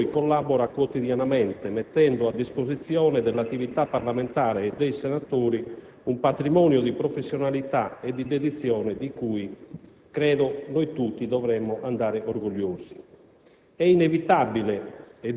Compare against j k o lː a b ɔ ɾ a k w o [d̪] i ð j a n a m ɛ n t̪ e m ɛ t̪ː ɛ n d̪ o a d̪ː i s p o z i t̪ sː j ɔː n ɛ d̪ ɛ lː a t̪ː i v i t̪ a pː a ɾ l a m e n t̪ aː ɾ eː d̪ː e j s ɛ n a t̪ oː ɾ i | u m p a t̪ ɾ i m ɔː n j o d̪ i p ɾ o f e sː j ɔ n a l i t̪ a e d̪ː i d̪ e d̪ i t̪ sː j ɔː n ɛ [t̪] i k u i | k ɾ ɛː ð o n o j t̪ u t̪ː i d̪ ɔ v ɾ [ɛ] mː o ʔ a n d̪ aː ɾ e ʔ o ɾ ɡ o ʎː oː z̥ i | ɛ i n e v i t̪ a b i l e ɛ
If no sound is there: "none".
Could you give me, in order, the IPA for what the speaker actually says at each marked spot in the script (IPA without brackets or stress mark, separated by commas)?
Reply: t̪, d̪, ɛ